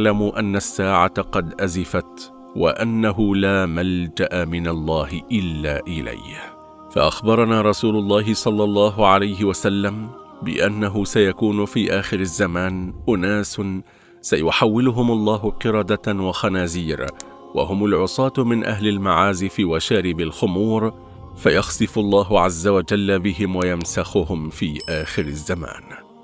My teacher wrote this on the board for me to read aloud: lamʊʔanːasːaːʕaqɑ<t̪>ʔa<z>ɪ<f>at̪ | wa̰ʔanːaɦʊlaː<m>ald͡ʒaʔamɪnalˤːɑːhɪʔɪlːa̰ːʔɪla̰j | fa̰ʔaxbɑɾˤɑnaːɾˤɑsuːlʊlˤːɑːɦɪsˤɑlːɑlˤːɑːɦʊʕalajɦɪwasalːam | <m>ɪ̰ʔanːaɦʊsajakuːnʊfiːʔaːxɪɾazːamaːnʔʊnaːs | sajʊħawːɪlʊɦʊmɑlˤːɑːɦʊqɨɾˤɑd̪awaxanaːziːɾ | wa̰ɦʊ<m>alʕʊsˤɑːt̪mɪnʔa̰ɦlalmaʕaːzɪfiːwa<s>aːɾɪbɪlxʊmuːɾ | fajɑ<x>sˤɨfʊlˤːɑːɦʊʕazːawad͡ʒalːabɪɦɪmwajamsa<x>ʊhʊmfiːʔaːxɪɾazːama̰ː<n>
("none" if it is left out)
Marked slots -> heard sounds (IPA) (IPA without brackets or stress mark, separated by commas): d̪, z, f, m, b, m, ʃ, x, x, n